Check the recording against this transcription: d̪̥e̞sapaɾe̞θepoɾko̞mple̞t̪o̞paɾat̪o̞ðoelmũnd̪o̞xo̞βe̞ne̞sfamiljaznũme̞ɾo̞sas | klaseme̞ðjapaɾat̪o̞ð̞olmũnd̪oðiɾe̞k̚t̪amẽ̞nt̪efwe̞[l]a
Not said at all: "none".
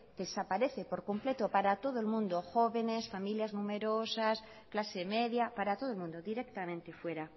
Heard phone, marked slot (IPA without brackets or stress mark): ɾ